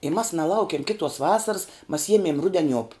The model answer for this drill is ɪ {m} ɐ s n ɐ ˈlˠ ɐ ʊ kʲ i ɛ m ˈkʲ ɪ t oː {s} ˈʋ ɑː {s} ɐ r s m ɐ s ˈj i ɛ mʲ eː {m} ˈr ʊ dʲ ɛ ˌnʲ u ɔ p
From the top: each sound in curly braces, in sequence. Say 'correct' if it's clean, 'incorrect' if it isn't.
correct, correct, correct, correct

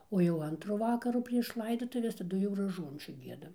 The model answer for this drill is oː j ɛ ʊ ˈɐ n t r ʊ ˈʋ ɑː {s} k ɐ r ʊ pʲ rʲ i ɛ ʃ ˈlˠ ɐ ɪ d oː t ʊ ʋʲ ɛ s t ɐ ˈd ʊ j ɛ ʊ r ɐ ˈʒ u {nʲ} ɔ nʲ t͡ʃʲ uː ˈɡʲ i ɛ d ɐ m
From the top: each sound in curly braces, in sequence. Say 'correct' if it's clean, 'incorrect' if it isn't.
incorrect, incorrect

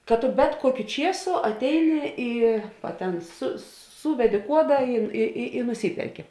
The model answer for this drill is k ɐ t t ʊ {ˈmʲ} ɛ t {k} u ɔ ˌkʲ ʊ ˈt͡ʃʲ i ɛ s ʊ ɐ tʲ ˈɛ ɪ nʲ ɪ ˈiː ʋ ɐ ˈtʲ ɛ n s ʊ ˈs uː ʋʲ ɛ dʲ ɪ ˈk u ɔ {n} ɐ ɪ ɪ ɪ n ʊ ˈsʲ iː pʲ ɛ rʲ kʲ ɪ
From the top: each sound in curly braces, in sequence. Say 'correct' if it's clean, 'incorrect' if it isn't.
incorrect, correct, incorrect

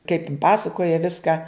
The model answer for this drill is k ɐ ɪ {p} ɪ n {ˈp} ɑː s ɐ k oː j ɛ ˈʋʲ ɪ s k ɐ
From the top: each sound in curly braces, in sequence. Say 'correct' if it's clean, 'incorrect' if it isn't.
correct, correct

